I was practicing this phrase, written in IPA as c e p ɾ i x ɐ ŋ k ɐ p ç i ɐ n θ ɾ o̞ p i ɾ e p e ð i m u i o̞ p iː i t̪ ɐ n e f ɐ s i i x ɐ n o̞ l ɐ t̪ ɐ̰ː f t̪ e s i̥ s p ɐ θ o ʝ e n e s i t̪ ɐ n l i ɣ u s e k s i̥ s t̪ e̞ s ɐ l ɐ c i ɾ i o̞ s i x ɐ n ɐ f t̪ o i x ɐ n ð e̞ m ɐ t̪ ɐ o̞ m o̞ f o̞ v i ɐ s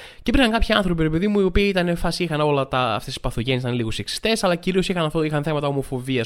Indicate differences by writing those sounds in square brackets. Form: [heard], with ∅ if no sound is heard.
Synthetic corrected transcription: c e p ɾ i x ɐ ŋ k ɐ p ç i ɐ n θ ɾ o̞ p i ɾ e p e ð i m u i o̞ p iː i t̪ ɐ n e f ɐ s i i x ɐ n o̞ l ɐ t̪ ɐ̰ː f t̪ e s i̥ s p ɐ θ o ʝ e n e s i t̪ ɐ n l i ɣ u s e k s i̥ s t̪ e̞ s ɐ l ɐ c i ɾ i o̞ s i x ɐ n ɐ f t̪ o i x ɐ n [θ] e̞ m ɐ t̪ ɐ o̞ m o̞ f o̞ v i ɐ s